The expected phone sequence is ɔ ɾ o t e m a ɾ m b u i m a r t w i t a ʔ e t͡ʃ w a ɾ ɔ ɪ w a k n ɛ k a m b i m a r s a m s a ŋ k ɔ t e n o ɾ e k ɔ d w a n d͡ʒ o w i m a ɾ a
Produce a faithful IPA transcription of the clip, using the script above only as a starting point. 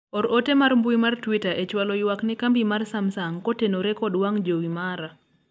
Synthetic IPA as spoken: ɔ ɾ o t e m a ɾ m b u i m a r t w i t a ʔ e t͡ʃ w a l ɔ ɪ w a k n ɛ k a m b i m a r s a m s a ŋ k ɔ t e n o ɾ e k ɔ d w a ŋ d͡ʒ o w i m a ɾ a